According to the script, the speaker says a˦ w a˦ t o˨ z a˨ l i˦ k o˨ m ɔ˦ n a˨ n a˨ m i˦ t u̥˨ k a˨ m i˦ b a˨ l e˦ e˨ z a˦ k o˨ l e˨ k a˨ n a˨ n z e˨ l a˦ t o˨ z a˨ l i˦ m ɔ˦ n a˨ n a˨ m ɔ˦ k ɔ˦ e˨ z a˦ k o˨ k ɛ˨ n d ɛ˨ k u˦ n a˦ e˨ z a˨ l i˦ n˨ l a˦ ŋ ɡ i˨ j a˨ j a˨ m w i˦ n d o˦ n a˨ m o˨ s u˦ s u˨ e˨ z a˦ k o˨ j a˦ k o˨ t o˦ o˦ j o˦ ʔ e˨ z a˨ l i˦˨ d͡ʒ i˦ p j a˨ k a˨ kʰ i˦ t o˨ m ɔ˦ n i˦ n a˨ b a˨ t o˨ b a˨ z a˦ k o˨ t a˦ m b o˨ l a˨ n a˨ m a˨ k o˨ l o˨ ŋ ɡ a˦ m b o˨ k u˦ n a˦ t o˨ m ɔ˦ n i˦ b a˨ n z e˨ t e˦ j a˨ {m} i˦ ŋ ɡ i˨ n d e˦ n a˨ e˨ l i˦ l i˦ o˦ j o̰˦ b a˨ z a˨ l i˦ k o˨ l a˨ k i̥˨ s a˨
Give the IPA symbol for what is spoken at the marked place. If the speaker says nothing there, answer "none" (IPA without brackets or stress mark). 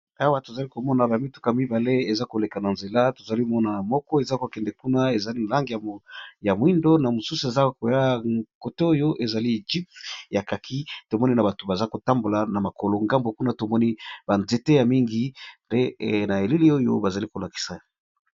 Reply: m